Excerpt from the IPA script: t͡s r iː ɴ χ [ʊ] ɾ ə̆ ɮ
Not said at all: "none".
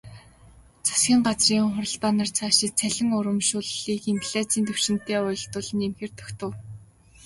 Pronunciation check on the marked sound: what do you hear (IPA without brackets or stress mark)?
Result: ʊ